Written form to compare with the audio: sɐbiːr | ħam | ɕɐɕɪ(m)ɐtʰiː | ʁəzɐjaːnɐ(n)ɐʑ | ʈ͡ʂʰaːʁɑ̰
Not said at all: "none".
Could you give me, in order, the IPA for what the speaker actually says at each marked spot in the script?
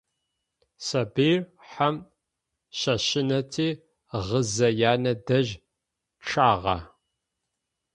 n, d

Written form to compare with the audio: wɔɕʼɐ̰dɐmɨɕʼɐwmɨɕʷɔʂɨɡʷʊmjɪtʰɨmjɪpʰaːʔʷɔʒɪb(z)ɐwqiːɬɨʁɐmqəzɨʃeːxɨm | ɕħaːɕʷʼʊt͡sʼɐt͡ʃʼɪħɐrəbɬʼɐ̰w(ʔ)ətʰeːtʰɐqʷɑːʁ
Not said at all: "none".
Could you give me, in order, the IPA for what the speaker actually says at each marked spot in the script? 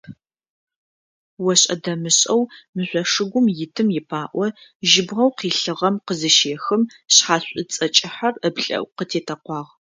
ʁ, q

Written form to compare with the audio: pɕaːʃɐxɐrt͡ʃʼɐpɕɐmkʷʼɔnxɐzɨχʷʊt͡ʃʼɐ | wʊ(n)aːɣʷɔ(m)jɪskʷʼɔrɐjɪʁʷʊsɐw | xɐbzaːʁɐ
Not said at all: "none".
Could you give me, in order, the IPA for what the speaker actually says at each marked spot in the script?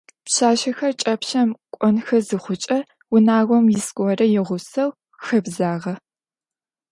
n, m

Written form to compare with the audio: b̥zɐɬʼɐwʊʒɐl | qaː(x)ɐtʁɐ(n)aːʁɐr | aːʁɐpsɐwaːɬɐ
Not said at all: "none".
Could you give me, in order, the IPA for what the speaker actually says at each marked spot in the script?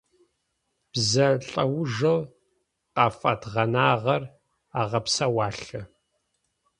f, n

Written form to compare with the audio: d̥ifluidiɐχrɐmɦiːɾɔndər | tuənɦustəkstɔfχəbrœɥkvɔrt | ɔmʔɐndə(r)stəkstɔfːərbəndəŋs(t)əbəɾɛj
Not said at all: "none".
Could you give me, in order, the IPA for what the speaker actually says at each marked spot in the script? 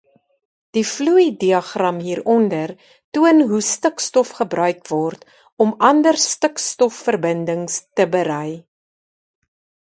r, t

